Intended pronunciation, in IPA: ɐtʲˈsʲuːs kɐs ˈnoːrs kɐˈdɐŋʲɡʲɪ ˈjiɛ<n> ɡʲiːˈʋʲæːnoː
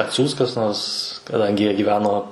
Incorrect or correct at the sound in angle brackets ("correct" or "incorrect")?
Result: incorrect